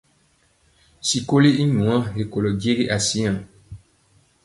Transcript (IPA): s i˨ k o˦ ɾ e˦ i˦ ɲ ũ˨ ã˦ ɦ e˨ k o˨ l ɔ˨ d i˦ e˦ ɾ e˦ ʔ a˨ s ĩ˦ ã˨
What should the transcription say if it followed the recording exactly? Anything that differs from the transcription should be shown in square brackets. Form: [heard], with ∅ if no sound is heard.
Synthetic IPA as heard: s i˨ k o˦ [l] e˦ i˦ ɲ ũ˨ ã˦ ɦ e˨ k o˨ l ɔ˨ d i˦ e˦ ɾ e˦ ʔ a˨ s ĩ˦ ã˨